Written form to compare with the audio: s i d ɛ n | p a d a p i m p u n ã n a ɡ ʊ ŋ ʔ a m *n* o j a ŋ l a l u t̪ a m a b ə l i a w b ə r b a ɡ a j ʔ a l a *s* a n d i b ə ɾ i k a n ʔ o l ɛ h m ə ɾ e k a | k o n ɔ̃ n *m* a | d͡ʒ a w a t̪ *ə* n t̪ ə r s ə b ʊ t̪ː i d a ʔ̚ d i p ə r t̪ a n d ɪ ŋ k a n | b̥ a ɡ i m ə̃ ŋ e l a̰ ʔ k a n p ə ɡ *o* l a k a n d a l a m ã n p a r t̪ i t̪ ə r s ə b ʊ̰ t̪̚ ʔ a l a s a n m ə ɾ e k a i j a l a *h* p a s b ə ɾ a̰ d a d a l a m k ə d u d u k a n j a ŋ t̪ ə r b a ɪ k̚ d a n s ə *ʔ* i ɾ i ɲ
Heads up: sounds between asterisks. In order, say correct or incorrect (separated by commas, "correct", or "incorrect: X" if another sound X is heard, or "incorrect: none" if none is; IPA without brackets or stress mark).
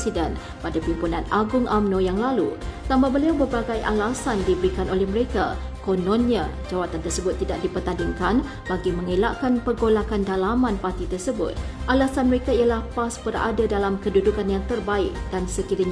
correct, correct, incorrect: ɲ, incorrect: a, correct, correct, incorrect: k